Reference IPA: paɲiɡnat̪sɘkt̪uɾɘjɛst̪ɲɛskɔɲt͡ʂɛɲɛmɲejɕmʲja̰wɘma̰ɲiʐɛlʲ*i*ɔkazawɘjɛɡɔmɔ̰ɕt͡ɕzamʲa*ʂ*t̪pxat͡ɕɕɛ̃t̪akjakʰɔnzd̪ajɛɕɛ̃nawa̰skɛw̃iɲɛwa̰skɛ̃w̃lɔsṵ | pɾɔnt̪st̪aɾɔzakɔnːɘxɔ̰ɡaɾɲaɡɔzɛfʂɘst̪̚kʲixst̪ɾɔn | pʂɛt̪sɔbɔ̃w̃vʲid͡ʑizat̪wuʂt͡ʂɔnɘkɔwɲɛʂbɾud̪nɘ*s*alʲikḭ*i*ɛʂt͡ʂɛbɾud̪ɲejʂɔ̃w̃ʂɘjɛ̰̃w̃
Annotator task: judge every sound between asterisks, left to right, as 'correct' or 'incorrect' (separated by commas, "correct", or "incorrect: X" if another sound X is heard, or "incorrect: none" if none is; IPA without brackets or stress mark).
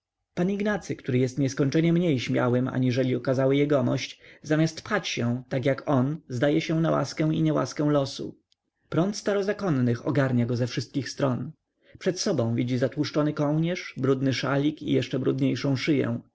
correct, incorrect: s, incorrect: ʂ, incorrect: j